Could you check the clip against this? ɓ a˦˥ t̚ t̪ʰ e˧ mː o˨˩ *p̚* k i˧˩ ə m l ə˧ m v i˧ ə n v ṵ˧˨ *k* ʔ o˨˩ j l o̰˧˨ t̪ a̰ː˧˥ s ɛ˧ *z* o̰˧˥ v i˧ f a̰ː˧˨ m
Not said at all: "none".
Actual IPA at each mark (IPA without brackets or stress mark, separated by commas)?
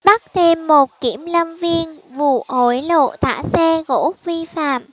t̚, none, ɣ